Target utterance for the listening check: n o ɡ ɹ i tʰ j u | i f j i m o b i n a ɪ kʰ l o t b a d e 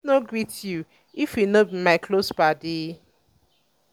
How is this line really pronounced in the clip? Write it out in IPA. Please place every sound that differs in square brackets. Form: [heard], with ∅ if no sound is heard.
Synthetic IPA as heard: n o ɡ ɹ i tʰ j u | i f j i [n] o b i [m] a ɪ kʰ l o [s] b a d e